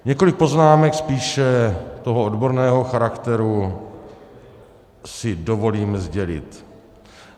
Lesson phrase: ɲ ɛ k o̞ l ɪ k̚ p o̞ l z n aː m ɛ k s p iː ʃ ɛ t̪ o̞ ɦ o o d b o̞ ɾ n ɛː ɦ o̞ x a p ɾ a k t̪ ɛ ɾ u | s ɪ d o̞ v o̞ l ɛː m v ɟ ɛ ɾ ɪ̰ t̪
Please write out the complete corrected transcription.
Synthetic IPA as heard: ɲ ɛ k o̞ l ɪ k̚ p o̞ z n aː m ɛ k s p iː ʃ ɛ t̪ o̞ ɦ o o d b o̞ ɾ n ɛː ɦ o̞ x a ɾ a k t̪ ɛ ɾ u | s ɪ d o̞ v o̞ l iː m z ɟ ɛ l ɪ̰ t̪